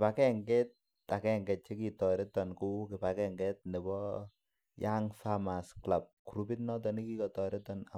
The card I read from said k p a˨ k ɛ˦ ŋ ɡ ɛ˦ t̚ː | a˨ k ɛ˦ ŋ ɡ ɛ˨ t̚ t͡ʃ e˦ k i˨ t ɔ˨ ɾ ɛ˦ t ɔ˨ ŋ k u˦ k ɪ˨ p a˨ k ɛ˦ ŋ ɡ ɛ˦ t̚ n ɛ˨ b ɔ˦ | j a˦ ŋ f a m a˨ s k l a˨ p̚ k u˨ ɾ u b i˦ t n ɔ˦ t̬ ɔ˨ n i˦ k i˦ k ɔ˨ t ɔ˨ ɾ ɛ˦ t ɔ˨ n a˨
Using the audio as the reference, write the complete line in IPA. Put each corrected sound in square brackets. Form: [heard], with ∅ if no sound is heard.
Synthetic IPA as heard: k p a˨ k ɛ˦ ŋ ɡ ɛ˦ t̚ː | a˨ k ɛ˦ ŋ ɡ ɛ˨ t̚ t͡ʃ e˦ k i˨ t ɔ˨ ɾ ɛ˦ t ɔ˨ [n] k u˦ k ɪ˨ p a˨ k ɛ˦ ŋ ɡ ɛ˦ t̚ n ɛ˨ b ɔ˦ | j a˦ ŋ f a m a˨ s k l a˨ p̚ k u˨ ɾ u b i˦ t n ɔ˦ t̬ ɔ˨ n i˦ k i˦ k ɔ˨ t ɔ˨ ɾ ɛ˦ t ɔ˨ n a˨

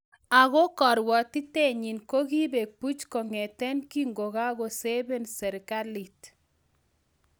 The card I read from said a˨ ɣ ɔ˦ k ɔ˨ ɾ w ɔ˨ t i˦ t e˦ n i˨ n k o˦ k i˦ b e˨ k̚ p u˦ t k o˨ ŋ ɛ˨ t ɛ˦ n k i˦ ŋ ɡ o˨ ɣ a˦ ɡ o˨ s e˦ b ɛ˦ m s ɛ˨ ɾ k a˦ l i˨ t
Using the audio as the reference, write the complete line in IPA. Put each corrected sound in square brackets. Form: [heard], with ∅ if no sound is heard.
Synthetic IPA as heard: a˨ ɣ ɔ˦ k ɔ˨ ɾ w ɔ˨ t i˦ t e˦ [ɲ] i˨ n k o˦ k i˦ b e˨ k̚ p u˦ [t͡ʃ] k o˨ ŋ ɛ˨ t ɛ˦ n k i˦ ŋ ɡ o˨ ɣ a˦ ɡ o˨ s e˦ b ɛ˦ [n] s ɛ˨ ɾ k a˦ l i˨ t

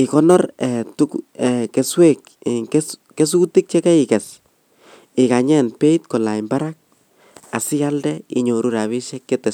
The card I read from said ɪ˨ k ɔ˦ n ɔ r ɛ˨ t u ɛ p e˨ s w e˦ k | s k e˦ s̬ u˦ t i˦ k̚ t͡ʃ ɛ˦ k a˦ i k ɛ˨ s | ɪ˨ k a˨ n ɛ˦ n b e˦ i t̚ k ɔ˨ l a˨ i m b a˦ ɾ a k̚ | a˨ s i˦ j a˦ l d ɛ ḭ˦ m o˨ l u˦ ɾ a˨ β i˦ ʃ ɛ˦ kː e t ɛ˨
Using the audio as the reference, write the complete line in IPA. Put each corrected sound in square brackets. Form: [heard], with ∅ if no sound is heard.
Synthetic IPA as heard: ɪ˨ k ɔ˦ n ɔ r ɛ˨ t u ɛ [k] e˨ s w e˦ k | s k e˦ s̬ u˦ t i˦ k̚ t͡ʃ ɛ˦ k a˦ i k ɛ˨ s | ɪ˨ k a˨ [ɲ] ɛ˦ n [p] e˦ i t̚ k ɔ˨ l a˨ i m b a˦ ɾ a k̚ | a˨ s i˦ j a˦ l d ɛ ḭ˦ [ɲ] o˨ [ɾ] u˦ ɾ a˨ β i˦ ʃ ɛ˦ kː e t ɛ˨

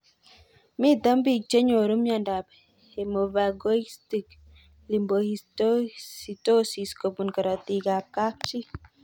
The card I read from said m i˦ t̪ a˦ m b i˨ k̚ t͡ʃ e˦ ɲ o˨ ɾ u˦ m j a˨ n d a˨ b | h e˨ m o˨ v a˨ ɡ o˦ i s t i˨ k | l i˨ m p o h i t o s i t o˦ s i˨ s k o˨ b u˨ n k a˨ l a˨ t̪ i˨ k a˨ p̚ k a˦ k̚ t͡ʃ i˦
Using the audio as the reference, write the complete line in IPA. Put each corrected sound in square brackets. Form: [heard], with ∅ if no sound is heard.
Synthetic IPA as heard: m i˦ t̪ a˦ m b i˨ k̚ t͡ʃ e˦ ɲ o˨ ɾ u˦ m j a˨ n d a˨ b | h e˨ m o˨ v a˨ ɡ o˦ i s t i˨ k | l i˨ m [b] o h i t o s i t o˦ s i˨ s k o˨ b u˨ n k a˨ [ɾ] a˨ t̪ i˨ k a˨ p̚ k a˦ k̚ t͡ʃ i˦

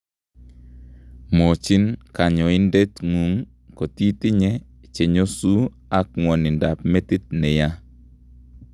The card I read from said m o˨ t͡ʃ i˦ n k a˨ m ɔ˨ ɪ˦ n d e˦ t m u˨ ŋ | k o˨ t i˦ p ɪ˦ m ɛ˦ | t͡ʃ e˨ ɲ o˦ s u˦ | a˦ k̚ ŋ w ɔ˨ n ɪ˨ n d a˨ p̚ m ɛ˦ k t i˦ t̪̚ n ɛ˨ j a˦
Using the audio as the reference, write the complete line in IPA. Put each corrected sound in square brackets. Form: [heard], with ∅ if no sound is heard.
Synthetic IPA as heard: m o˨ t͡ʃ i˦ n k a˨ [ɲ] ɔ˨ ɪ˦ n d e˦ t [ŋ] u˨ ŋ | k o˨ t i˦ [t] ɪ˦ [ɲ] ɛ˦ | t͡ʃ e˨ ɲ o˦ s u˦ | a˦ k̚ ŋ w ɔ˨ n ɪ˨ n d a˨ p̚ m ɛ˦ [∅] t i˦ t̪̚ n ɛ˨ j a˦

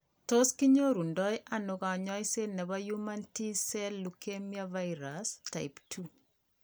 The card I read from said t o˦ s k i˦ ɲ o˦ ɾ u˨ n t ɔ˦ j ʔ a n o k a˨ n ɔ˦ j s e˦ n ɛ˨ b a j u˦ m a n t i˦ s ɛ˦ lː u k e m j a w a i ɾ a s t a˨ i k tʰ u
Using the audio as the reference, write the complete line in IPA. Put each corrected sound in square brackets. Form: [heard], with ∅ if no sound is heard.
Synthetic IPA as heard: t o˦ s k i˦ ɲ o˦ ɾ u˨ n [d] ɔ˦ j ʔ a n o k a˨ [ɲ] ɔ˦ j s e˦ n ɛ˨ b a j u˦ m a n t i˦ s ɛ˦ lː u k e m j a [v] a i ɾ a s t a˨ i [p] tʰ u

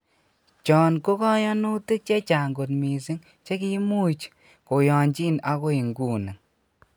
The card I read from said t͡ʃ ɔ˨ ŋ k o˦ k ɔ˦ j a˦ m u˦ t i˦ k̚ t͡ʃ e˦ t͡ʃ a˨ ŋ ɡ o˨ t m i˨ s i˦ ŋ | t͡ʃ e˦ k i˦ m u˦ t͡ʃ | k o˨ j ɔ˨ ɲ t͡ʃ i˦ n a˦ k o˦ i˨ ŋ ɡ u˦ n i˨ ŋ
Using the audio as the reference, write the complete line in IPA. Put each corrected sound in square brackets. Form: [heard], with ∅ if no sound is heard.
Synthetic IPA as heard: t͡ʃ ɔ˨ [n] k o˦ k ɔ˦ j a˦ [n] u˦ t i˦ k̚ t͡ʃ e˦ t͡ʃ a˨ ŋ ɡ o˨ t m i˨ s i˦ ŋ | t͡ʃ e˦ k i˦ m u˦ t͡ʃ | k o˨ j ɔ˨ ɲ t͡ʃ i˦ n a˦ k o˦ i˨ ŋ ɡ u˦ n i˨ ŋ

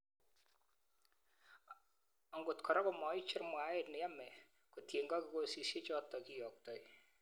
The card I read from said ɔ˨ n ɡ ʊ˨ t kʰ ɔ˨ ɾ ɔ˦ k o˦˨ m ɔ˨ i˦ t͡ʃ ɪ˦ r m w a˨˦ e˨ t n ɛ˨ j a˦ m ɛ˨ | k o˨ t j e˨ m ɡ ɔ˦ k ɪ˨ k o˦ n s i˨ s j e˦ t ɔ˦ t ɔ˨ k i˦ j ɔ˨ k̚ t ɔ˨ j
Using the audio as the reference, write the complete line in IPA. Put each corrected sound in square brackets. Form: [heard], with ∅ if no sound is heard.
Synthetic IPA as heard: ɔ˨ [ŋ] ɡ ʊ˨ t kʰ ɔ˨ ɾ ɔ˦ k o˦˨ m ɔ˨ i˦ t͡ʃ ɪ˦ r m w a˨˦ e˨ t n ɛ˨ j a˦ m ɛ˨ | k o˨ t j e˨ [ŋ] ɡ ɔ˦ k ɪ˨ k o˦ [∅] s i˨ s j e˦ [t͡ʃ] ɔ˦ t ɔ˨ k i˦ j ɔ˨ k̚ t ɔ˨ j

